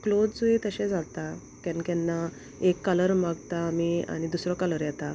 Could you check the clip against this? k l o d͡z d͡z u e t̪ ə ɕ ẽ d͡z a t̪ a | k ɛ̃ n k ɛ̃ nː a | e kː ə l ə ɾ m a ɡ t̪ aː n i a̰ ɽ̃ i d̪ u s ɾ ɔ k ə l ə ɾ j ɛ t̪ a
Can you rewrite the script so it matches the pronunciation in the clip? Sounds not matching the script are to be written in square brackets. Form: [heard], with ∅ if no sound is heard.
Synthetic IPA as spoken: k l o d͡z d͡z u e t̪ ə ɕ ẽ d͡z a t̪ a | k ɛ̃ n k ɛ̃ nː a | e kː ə l ə ɾ m a ɡ t̪ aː [m] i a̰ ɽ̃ i d̪ u s ɾ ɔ k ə l ə ɾ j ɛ t̪ a